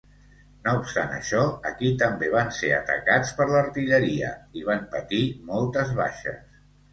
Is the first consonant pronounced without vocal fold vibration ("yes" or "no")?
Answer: no